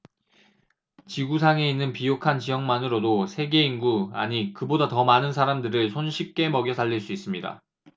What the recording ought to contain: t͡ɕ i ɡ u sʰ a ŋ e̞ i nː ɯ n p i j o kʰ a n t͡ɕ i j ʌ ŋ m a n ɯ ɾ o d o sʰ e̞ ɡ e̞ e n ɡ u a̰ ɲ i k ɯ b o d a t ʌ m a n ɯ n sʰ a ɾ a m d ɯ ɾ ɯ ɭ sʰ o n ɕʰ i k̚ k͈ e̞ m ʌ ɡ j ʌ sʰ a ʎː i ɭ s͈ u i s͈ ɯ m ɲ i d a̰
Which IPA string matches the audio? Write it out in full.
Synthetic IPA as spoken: t͡ɕ i ɡ u sʰ a ŋ e̞ i nː ɯ n p i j o kʰ a n t͡ɕ i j ʌ ŋ m a n ɯ ɾ o d o sʰ e̞ ɡ e̞ i n ɡ u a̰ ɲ i k ɯ b o d a t ʌ m a n ɯ n sʰ a ɾ a m d ɯ ɾ ɯ ɭ sʰ o n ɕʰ i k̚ k͈ e̞ m ʌ ɡ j ʌ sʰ a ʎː i ɭ s͈ u i s͈ ɯ m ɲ i d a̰